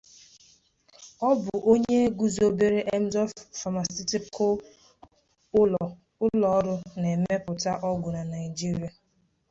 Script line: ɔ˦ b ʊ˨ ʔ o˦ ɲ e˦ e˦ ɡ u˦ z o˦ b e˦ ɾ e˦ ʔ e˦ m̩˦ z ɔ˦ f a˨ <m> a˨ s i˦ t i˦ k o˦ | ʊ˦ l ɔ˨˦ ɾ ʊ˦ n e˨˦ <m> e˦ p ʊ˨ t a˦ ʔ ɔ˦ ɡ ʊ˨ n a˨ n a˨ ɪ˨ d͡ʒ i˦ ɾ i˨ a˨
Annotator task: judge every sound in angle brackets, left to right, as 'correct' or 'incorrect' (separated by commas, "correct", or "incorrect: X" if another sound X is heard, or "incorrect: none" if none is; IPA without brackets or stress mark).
correct, correct